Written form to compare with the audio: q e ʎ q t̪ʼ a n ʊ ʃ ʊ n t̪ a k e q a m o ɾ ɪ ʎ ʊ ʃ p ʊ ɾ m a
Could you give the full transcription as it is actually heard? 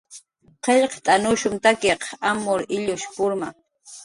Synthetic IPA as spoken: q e ʎ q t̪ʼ a n ʊ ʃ ʊ m t̪ a k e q a m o ɾ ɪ ʎ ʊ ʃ p ʊ ɾ m a